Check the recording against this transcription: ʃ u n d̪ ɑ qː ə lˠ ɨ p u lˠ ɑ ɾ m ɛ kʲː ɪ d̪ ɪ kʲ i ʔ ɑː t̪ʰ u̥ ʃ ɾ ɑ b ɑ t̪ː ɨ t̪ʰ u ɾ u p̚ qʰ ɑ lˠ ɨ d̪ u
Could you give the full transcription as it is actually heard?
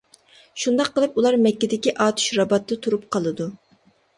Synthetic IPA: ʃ u n d̪ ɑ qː ə lˠ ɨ p u lˠ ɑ ɾ m ɛ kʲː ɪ d̪ ɪ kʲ i ʔ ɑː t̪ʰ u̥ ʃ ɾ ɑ b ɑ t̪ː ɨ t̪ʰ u ɾ u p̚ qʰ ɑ lˠ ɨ d̪ u